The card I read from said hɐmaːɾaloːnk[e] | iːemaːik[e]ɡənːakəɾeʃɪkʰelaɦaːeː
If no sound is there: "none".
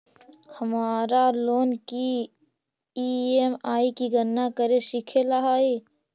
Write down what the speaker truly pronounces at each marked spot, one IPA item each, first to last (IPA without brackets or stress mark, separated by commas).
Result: i, i